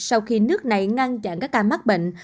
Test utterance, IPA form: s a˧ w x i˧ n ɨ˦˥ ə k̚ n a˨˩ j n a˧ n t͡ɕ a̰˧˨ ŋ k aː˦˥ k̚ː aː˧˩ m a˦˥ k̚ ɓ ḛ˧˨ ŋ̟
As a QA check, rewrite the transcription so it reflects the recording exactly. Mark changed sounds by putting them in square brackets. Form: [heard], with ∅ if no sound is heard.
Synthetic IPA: s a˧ w x i˧ n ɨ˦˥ ə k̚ n a˨˩ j [ŋ] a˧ n t͡ɕ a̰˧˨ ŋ k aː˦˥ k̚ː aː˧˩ m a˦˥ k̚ ɓ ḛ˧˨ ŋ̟